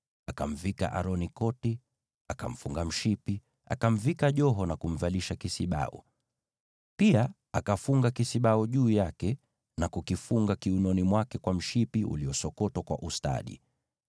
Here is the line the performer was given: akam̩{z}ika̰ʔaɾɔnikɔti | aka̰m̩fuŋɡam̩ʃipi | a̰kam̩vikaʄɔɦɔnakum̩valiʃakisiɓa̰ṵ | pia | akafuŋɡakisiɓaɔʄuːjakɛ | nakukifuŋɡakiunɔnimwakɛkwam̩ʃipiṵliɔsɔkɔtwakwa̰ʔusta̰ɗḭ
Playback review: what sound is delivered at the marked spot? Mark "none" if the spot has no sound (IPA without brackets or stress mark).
v